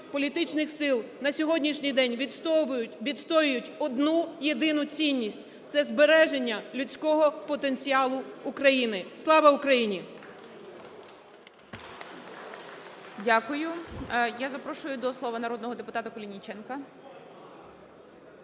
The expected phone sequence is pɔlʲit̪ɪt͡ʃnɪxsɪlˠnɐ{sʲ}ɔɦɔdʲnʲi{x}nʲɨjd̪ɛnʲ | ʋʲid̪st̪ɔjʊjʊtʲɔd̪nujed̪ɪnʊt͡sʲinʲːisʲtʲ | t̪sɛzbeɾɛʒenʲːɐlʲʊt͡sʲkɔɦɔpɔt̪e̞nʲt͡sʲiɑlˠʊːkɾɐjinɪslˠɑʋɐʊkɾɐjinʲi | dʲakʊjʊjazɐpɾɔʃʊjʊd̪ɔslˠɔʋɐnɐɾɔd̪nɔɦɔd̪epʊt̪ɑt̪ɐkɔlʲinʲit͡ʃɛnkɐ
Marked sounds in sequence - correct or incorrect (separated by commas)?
correct, incorrect